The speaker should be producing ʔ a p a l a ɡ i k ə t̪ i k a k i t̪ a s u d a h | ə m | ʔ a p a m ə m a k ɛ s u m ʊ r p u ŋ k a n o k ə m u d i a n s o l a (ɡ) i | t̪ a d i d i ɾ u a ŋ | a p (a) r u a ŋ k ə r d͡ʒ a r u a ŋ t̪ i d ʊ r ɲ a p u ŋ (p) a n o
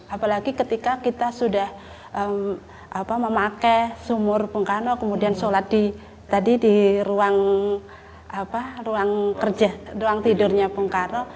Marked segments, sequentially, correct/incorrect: incorrect: d, correct, incorrect: k

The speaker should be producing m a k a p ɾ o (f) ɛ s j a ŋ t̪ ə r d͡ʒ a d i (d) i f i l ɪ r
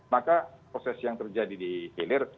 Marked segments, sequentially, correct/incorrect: incorrect: s, correct

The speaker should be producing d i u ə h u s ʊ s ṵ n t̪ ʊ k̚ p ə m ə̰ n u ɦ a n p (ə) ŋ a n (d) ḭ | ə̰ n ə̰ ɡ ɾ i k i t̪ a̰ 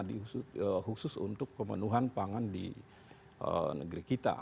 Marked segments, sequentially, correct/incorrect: incorrect: a, correct

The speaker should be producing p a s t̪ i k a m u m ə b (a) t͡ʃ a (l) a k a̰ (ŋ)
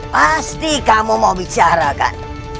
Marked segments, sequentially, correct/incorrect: incorrect: i, incorrect: ɾ, incorrect: n

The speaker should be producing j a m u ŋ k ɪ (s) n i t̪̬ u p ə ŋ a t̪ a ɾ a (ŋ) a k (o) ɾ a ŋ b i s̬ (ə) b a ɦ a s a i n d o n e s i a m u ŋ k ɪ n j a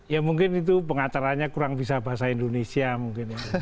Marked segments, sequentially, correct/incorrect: incorrect: none, incorrect: ɲ, incorrect: u, incorrect: a

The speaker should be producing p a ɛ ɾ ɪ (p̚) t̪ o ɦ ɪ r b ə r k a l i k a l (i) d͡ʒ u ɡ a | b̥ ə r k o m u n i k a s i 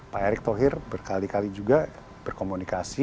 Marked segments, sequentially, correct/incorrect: incorrect: k̚, correct

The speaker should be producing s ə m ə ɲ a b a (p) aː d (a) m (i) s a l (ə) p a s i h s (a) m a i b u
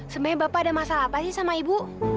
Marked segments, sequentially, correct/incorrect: correct, correct, incorrect: a, incorrect: a, correct

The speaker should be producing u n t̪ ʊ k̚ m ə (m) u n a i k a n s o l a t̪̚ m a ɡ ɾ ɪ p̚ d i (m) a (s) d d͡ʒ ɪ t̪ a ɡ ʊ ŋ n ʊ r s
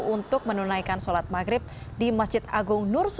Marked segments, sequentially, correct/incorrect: incorrect: n, correct, correct

